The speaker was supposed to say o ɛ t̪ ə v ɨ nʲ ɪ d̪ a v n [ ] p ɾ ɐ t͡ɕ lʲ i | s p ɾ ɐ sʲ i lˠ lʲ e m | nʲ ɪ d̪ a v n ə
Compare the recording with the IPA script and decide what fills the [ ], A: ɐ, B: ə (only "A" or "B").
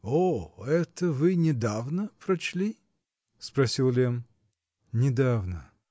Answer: B